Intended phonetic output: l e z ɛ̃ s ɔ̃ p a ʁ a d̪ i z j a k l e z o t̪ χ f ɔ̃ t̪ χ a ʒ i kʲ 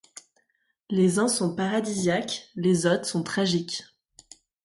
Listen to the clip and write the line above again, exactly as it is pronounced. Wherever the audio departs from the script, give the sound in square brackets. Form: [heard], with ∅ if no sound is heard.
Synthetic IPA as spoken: l e z ɛ̃ s ɔ̃ p a ʁ a d̪ i z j a k l e z o t̪ χ [s] ɔ̃ t̪ χ a ʒ i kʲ